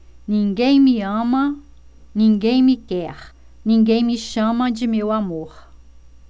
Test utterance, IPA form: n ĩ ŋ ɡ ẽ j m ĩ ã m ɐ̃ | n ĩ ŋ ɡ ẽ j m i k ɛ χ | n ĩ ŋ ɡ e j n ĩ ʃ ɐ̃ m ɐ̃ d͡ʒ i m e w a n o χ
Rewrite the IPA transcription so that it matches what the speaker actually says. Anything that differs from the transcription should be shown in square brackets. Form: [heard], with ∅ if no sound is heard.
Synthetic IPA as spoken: n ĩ ŋ ɡ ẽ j m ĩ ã m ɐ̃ | n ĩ ŋ ɡ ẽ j m i k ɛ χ | n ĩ ŋ ɡ e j [m] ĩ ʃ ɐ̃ m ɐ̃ d͡ʒ i m e w a [m] o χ